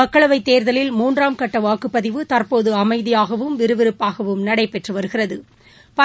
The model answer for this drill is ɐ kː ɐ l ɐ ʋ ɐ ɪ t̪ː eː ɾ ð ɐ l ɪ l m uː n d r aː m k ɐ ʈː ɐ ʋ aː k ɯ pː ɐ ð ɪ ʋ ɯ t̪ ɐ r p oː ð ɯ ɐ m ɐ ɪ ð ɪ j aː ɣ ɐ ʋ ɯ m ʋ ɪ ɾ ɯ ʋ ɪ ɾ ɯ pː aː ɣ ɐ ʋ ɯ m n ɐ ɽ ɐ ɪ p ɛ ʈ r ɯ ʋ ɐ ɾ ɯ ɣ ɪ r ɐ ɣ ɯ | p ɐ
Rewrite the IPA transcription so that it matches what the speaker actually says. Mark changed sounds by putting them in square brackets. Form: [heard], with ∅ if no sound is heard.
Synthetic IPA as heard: ɐ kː ɐ [ɭ] ɐ ʋ ɐ ɪ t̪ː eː ɾ ð ɐ l ɪ l m uː n d r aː m k ɐ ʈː ɐ ʋ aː k ɯ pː ɐ ð ɪ ʋ ɯ t̪ ɐ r p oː ð ɯ ɐ m ɐ ɪ ð ɪ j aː ɣ ɐ ʋ ɯ m ʋ ɪ ɾ ɯ ʋ ɪ ɾ ɯ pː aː ɣ ɐ ʋ ɯ m n ɐ ɽ ɐ ɪ p ɛ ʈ r ɯ ʋ ɐ ɾ ɯ ɣ ɪ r ɐ [ð] ɯ | p ɐ